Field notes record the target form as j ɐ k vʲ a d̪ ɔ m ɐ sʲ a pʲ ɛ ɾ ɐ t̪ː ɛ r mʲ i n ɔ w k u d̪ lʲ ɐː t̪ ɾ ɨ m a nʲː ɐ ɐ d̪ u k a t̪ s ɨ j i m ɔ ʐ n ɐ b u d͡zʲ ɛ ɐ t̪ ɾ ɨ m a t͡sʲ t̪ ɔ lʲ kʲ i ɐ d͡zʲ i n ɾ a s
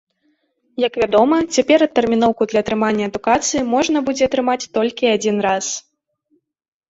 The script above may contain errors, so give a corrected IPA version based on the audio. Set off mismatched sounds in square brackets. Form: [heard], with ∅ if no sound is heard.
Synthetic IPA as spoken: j ɐ k vʲ a d̪ ɔ m ɐ [t͡sʲ] a pʲ ɛ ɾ ɐ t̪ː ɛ r mʲ i n ɔ w k u d̪ lʲ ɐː t̪ ɾ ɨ m a nʲː ɐ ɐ d̪ u k a t̪ s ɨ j i m ɔ ʐ n ɐ b u d͡zʲ ɛ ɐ t̪ ɾ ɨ m a t͡sʲ t̪ ɔ lʲ kʲ i [a] d͡zʲ i n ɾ a s